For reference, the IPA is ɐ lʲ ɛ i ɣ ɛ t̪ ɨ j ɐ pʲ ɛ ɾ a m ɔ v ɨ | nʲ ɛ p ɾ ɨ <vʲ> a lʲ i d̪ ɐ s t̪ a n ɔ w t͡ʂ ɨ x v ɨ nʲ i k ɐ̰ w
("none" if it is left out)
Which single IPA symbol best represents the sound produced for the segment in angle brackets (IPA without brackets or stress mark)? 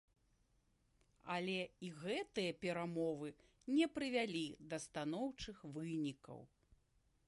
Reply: vʲ